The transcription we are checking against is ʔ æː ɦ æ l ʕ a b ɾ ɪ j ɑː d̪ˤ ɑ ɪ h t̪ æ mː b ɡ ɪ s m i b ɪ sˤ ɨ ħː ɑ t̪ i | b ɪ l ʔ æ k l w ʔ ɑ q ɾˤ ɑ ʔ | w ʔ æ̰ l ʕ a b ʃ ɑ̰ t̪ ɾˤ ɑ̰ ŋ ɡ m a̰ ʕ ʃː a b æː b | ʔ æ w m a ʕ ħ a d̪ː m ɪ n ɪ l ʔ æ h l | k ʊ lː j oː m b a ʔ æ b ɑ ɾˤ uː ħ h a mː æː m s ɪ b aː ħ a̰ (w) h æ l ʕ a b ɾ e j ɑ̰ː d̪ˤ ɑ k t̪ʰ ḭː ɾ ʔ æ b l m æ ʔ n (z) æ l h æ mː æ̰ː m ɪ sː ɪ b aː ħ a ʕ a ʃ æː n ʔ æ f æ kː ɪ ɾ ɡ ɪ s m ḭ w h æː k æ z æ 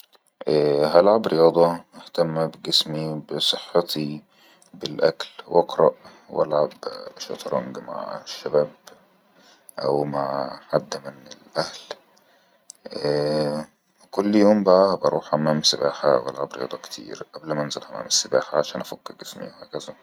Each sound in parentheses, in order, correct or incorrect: correct, correct

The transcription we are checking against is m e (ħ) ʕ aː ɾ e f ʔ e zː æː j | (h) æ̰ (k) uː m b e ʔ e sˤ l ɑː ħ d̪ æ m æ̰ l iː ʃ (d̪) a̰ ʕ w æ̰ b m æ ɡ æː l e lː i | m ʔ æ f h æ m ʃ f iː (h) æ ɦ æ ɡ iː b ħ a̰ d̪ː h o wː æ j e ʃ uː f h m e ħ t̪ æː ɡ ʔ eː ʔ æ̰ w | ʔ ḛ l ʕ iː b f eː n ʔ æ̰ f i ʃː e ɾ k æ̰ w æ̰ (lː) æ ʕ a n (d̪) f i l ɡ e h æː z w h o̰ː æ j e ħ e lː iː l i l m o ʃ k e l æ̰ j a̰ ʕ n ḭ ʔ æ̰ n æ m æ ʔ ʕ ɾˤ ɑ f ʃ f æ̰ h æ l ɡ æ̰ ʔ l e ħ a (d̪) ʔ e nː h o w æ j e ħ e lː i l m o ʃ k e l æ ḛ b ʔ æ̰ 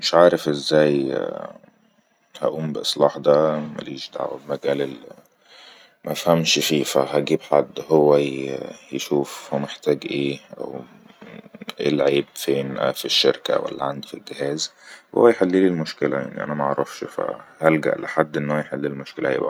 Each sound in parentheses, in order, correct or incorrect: incorrect, correct, incorrect, correct, incorrect, correct, correct, incorrect

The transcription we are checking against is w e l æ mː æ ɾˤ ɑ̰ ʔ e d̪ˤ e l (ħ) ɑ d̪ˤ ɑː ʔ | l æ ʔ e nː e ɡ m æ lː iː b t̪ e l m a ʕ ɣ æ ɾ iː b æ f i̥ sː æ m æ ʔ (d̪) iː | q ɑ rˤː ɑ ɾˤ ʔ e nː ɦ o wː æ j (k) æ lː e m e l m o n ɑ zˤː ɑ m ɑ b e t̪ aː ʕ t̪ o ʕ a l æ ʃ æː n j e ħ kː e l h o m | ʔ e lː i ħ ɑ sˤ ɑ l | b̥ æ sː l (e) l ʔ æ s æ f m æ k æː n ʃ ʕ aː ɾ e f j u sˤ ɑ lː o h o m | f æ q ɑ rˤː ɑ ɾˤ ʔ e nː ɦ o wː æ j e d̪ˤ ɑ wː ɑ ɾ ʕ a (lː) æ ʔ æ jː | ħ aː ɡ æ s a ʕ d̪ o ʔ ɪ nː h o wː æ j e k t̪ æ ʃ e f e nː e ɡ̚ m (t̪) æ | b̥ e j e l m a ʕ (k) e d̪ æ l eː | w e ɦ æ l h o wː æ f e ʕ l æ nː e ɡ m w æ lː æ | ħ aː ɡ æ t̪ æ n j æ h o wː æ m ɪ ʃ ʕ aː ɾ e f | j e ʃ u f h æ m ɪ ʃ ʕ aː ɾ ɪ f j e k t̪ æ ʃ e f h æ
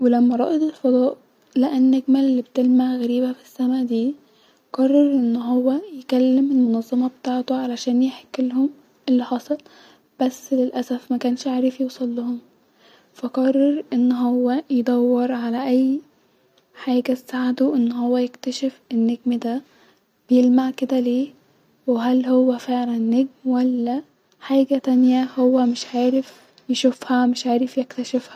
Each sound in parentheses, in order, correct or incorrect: incorrect, correct, correct, correct, incorrect, incorrect, correct

